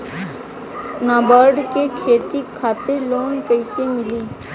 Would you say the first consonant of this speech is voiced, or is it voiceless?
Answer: voiced